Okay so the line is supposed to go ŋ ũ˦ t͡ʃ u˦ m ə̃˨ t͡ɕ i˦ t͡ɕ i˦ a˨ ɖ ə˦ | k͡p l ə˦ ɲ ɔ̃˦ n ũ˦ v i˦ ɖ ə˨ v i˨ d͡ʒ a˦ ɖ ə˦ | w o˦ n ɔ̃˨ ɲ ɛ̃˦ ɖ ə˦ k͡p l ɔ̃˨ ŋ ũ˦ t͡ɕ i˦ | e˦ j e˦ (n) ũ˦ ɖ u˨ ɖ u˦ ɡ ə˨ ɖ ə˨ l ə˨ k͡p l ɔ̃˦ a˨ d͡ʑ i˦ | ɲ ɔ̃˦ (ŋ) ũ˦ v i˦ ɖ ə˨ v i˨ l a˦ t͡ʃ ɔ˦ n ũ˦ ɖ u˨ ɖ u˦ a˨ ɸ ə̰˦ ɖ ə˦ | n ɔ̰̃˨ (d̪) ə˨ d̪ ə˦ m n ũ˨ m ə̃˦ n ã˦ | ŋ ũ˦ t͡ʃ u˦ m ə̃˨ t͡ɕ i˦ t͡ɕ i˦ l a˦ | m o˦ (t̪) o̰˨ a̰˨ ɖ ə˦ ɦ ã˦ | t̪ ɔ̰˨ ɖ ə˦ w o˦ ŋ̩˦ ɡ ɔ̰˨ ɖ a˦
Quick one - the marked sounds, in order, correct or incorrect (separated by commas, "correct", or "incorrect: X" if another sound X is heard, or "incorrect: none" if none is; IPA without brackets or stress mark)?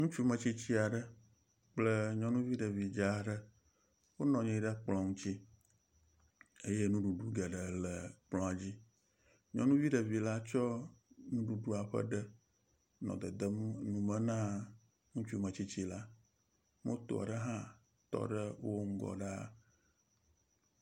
correct, incorrect: n, correct, correct